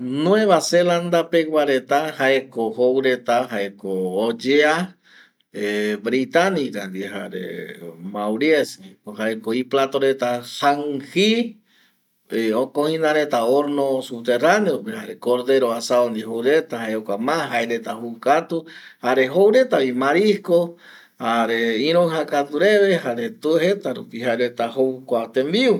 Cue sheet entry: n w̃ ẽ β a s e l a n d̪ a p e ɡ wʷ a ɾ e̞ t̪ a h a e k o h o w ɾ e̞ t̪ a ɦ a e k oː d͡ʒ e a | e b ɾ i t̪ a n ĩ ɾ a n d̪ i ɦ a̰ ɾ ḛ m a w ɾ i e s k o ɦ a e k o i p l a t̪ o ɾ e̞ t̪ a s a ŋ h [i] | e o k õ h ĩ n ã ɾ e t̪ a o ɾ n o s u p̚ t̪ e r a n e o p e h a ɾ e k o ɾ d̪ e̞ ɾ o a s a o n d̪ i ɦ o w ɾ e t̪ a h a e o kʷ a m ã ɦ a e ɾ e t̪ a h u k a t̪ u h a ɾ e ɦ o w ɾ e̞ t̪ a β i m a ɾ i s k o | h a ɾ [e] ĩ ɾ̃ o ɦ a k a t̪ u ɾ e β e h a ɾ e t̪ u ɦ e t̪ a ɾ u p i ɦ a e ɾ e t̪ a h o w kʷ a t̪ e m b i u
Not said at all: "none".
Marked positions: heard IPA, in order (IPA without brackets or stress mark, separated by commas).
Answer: i, e